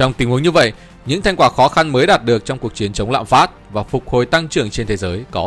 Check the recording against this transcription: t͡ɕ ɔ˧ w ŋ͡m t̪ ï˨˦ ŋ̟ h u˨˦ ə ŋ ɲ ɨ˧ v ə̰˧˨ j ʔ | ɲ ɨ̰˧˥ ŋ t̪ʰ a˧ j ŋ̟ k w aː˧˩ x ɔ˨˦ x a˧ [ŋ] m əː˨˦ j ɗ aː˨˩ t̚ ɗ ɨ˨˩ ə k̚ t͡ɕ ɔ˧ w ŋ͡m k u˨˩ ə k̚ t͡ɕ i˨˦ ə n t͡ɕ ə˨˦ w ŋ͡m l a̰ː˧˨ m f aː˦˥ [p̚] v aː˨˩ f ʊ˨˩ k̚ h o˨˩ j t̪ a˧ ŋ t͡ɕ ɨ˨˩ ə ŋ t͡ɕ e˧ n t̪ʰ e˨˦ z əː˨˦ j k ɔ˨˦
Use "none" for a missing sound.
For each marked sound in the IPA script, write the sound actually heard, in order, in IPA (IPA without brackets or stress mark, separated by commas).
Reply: n, t̚